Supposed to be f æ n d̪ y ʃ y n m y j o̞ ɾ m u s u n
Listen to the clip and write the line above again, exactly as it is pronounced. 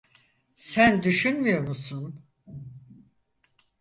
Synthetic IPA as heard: s æ n d̪ y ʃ y n m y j o̞ ɾ m u s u n